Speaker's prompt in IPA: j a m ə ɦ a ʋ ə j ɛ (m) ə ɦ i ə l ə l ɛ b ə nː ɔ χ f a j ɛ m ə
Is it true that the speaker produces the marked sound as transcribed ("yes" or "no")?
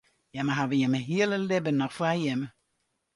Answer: yes